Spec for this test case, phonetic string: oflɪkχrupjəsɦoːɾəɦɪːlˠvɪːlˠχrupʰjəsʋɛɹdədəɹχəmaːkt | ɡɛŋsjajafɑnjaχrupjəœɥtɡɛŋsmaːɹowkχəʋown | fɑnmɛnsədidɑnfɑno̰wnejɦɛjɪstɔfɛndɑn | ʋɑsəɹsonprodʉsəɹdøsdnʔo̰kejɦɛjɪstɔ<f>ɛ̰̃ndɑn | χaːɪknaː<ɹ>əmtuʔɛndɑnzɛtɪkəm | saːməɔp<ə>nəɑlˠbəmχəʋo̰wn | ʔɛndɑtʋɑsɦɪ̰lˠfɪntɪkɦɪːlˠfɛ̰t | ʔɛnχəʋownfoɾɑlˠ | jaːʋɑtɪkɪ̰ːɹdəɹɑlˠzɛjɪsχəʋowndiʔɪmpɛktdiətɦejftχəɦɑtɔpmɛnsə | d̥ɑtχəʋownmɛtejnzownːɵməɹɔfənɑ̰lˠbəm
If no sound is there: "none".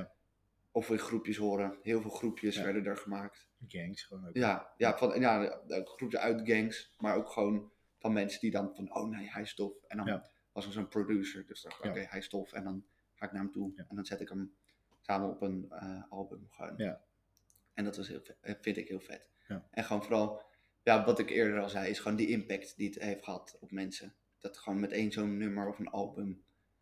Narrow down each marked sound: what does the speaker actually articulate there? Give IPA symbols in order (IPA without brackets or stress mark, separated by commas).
f, ɹ, ə